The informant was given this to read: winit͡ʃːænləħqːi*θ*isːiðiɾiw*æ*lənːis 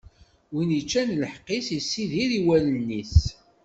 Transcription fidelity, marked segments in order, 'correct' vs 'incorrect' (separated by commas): incorrect, correct